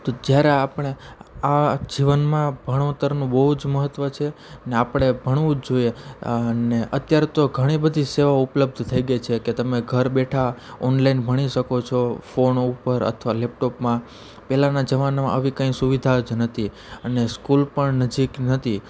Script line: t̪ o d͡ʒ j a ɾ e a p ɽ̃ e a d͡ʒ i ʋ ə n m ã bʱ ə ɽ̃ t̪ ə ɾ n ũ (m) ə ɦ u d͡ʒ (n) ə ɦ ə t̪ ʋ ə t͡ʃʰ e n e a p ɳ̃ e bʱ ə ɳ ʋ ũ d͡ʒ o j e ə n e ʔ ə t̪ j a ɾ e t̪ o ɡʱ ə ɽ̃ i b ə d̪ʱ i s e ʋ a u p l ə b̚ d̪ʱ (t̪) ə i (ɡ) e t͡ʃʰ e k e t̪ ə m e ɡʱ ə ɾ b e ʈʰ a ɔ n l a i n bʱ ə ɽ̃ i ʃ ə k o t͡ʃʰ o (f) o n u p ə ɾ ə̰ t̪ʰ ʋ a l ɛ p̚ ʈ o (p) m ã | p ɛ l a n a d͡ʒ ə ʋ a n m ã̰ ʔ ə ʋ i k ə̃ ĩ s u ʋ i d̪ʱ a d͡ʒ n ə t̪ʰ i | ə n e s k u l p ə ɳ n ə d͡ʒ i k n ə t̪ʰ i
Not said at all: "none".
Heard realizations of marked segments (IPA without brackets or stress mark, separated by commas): b, m, t̪ʰ, ɡ, f, p